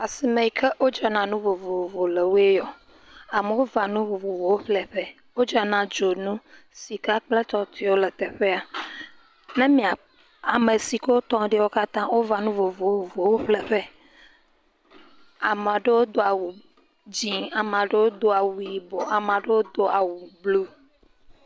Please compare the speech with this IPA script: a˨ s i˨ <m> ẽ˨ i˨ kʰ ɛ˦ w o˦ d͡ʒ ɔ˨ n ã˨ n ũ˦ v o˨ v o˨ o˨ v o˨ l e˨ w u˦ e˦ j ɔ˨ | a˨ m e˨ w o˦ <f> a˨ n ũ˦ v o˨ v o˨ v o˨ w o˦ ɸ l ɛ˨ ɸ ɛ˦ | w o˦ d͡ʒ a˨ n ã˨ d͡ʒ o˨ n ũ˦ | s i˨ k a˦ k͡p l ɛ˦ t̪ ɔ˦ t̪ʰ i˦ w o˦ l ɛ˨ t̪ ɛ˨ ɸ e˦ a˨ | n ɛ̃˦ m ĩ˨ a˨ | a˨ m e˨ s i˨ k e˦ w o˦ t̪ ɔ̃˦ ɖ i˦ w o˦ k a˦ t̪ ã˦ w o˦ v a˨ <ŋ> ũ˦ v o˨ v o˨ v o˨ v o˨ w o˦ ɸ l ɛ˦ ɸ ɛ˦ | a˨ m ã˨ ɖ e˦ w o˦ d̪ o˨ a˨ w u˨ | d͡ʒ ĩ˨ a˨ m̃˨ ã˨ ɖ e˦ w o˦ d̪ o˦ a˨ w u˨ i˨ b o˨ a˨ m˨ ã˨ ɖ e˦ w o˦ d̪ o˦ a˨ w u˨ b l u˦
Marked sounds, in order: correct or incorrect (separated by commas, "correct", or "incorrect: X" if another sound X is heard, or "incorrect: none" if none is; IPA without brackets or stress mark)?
correct, incorrect: v, incorrect: n